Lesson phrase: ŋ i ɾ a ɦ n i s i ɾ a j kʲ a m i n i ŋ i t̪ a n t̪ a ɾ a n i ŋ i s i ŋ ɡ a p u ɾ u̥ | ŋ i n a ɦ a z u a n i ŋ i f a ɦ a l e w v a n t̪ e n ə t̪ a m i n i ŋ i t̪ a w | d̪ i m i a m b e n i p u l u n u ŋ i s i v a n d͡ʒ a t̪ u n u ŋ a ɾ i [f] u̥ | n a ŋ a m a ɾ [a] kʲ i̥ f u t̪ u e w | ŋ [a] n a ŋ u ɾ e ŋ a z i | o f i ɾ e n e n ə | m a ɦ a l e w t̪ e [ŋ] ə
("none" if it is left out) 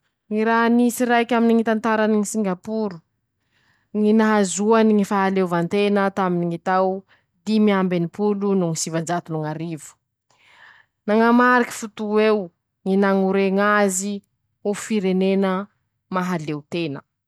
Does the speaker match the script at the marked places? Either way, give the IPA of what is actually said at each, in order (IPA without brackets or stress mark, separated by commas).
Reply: v, i, i, n